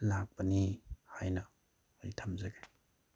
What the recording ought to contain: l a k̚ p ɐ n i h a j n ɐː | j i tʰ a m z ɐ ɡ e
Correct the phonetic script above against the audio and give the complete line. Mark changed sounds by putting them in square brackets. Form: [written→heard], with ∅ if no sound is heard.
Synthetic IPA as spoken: l a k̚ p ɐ n i h a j n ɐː | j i tʰ a m z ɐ ɡ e